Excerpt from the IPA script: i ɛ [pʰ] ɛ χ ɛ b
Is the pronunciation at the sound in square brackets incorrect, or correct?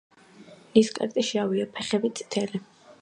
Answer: correct